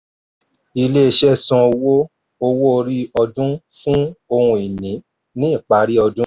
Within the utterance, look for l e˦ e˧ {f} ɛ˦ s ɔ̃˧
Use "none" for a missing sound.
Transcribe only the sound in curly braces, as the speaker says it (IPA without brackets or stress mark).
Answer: ʃ